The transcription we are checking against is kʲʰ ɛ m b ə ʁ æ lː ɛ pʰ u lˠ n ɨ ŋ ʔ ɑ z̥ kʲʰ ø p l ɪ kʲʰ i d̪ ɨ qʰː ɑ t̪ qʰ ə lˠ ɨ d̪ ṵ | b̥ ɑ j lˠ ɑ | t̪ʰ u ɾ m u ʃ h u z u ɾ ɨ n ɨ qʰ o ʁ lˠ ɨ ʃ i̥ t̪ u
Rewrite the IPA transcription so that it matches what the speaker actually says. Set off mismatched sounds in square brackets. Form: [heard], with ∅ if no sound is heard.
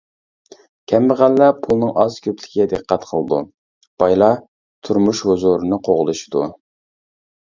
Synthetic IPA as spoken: kʲʰ ɛ m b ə ʁ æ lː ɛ pʰ u lˠ n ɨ ŋ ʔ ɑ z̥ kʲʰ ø p l ɪ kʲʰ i d̪ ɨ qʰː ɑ t̪ qʰ ə lˠ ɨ d̪ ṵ | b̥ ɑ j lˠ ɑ | t̪ʰ u ɾ m u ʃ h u z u ɾ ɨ n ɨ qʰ o ʁ lˠ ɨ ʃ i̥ [d̪] u

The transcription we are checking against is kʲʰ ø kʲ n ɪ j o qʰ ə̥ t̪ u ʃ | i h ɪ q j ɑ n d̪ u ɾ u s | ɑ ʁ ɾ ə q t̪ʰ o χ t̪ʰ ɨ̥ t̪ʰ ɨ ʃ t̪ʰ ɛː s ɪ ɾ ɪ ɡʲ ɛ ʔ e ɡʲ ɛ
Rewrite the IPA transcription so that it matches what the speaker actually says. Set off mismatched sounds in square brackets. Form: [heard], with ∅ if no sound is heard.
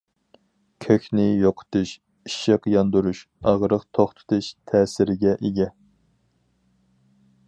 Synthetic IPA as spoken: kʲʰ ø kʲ n ɪ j o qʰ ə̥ t̪ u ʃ | i [ʃ] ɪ q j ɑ n d̪ u ɾ u [ʃ] | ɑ ʁ ɾ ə q t̪ʰ o χ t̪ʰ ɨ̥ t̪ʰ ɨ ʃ t̪ʰ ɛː s ɪ ɾ ɪ ɡʲ ɛ ʔ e ɡʲ ɛ

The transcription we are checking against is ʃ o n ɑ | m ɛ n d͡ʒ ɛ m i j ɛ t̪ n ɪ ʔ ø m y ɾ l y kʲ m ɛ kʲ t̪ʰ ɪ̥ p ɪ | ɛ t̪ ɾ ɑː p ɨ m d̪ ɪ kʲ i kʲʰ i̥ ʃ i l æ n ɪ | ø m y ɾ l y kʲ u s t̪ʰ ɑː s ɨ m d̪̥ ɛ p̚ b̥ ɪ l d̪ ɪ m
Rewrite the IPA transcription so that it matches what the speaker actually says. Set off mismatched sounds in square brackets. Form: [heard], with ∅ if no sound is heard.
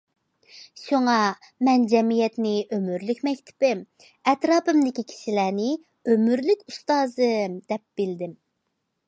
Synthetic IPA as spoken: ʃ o [ŋ] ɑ | m ɛ n d͡ʒ ɛ m i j ɛ t̪ n ɪ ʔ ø m y ɾ l y kʲ m ɛ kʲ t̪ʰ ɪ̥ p ɪ | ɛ t̪ ɾ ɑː p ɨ m d̪ ɪ kʲ i kʲʰ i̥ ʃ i l æ n ɪ | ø m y ɾ l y kʲ u s [t̪] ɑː [z] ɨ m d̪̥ ɛ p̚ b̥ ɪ l d̪ ɪ m

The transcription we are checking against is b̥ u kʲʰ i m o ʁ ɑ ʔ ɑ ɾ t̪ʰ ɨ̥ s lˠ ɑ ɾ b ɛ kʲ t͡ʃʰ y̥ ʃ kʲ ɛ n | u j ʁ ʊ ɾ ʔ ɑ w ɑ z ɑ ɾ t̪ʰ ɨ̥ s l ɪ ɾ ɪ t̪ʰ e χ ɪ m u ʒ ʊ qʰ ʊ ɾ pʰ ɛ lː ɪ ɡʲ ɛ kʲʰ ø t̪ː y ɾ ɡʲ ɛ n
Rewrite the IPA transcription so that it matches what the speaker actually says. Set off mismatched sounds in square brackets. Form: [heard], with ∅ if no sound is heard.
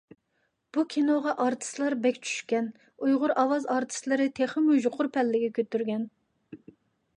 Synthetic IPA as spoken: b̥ u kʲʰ i [n] o ʁ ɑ ʔ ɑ ɾ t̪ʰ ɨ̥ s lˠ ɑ ɾ b ɛ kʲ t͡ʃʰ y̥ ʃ kʲ ɛ n | u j ʁ ʊ ɾ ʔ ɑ w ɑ z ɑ ɾ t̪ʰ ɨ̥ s l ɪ ɾ ɪ t̪ʰ e χ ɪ m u ʒ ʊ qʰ ʊ ɾ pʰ ɛ lː ɪ ɡʲ ɛ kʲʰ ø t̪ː y ɾ ɡʲ ɛ n

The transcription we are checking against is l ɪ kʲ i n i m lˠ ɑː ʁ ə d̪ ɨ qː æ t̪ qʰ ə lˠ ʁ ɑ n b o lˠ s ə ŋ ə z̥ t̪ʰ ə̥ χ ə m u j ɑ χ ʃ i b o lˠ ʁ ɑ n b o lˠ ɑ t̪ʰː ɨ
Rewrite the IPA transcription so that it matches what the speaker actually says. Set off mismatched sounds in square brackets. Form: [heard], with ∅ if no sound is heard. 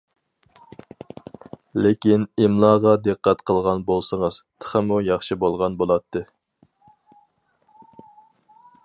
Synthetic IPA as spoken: l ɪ kʲ i n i m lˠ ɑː ʁ [ɑ] d̪ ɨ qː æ t̪ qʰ ə lˠ ʁ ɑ n b o lˠ s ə ŋ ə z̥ t̪ʰ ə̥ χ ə m u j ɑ χ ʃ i b o lˠ ʁ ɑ n b o lˠ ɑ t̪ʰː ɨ

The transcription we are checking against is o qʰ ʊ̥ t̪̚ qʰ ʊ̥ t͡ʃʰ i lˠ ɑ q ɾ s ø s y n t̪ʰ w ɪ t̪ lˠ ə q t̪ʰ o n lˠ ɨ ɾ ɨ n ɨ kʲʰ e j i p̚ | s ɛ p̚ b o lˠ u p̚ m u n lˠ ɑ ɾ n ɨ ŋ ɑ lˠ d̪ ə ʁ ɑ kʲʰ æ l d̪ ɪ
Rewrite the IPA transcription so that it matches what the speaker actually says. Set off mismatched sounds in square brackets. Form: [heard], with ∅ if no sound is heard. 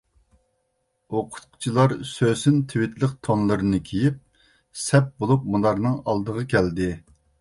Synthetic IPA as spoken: o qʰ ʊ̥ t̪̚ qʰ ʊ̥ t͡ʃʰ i lˠ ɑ [∅] ɾ s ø s y n t̪ʰ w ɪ t̪ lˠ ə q t̪ʰ o n lˠ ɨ ɾ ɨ n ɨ kʲʰ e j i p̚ | s ɛ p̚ b o lˠ u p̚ m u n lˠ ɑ ɾ n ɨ ŋ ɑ lˠ d̪ ə ʁ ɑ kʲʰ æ l d̪ ɪ

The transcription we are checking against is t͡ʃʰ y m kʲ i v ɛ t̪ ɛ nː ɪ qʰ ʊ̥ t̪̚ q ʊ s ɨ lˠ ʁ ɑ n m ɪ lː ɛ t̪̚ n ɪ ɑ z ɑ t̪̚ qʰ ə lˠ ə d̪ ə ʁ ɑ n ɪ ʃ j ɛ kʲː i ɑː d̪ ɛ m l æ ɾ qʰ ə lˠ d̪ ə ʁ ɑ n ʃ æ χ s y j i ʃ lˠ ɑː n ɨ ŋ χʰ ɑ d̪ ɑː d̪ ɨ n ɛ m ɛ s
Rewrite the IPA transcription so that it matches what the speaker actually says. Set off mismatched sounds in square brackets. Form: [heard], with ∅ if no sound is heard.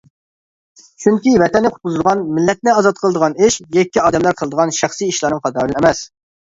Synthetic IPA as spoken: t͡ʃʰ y [ŋ] kʲ i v ɛ t̪ ɛ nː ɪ qʰ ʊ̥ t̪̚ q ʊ [z] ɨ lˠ ʁ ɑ n m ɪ lː ɛ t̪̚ n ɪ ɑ z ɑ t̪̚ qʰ ə lˠ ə d̪ ə ʁ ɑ n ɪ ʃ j ɛ kʲː i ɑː d̪ ɛ m l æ ɾ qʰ ə lˠ d̪ ə ʁ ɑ n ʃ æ χ s [i] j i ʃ lˠ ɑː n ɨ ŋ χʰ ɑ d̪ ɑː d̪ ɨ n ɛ m ɛ s

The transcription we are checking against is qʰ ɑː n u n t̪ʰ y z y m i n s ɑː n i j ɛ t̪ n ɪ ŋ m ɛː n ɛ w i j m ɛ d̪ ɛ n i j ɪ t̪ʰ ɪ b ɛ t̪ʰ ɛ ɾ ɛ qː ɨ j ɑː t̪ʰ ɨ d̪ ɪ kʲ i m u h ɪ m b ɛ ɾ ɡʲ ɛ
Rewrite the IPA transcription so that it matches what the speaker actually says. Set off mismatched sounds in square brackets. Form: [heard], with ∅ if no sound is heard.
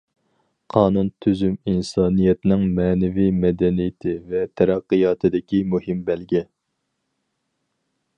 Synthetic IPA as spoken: qʰ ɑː n u n t̪ʰ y z y m i n s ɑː n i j ɛ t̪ n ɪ ŋ m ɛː n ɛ [v] i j m ɛ d̪ ɛ n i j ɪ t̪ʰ ɪ [v] ɛ t̪ʰ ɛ ɾ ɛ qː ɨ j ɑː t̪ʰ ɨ d̪ ɪ kʲ i m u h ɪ m b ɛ [l] ɡʲ ɛ

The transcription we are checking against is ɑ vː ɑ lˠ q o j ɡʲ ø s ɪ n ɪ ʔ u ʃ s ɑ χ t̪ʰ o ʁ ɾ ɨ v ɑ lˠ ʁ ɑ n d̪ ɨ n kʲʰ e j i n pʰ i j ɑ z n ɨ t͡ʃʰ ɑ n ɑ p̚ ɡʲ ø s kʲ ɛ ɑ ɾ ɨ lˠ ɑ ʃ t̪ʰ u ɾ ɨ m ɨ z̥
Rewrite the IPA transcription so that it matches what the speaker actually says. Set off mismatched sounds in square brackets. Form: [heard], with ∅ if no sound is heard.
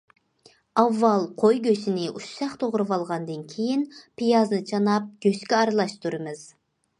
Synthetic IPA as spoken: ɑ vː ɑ lˠ [qʰ] o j ɡʲ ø s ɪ n ɪ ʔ u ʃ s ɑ χ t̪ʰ o ʁ ɾ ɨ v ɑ lˠ ʁ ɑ n d̪ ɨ n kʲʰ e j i n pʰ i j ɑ z n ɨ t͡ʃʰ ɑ n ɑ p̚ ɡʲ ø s kʲ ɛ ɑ ɾ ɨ lˠ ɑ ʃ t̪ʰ u ɾ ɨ m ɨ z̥

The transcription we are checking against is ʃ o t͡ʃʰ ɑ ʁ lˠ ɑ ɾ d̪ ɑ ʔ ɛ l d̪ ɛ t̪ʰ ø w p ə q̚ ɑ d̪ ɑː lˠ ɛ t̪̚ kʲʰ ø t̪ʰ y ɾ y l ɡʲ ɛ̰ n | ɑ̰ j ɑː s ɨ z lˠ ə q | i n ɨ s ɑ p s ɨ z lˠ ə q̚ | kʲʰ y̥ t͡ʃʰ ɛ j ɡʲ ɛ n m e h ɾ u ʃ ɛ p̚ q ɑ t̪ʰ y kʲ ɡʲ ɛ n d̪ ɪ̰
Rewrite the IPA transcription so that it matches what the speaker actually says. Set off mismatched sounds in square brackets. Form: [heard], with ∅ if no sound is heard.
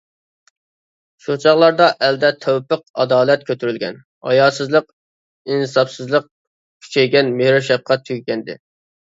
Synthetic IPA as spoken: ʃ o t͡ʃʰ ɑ ʁ lˠ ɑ ɾ d̪ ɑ ʔ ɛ l d̪ ɛ t̪ʰ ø w p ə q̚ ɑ d̪ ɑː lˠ ɛ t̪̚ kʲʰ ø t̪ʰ y ɾ y l ɡʲ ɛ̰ n | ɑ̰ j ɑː s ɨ z lˠ ə q | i n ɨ s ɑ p s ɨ z lˠ ə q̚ | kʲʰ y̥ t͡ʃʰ ɛ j ɡʲ ɛ n m e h ɾ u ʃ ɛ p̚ q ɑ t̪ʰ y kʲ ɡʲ ɛ n d̪ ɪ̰

